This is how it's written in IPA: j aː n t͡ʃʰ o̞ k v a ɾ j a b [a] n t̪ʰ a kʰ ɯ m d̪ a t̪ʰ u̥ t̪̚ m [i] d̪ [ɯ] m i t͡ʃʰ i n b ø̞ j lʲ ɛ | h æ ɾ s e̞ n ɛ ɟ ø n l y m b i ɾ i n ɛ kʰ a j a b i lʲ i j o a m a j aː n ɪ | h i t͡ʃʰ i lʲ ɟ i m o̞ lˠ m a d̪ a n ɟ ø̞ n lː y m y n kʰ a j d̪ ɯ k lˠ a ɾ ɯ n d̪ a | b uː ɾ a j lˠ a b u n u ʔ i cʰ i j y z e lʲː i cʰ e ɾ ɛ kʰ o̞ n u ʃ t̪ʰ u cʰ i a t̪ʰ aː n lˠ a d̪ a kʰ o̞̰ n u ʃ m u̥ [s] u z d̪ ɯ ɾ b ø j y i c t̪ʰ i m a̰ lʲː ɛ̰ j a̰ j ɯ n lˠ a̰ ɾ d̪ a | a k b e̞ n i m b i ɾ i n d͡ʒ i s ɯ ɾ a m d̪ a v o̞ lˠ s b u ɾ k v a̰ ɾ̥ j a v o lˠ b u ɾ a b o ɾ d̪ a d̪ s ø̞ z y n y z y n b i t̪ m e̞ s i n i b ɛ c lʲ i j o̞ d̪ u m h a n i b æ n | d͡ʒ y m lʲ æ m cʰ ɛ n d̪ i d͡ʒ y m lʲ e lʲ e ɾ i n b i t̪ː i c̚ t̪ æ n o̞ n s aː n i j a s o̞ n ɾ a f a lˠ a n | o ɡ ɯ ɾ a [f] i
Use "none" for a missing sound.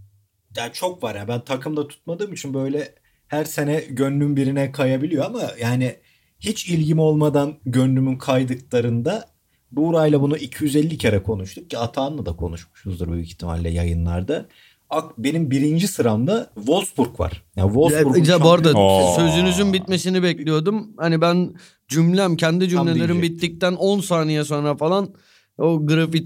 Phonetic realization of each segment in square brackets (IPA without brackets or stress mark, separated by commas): æ, a, ɯː, ʃ, f